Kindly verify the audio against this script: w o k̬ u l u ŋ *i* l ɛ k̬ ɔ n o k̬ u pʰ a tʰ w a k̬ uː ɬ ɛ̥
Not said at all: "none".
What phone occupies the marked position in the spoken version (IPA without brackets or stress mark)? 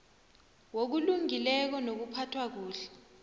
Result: i